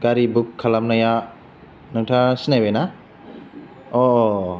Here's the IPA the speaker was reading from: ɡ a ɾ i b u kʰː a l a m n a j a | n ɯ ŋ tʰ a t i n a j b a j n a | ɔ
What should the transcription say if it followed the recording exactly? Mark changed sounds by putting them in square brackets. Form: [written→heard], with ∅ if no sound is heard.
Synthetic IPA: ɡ a ɾ i b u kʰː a l a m n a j a | n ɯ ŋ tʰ a [t→s] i n a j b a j n a | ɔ